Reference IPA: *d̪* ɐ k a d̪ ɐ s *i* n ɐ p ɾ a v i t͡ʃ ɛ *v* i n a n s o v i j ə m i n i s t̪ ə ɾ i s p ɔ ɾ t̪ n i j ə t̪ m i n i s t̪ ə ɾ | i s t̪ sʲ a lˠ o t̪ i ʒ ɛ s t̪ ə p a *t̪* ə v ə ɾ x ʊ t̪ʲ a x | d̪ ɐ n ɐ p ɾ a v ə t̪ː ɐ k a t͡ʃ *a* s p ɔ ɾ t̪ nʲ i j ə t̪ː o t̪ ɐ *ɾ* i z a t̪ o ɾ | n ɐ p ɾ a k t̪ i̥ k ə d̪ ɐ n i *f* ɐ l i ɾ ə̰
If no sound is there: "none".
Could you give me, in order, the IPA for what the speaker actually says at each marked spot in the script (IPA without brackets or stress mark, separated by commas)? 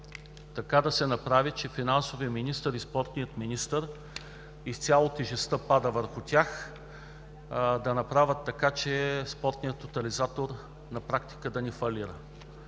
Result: t̪, ɛ, f, d̪, ɛ, l, f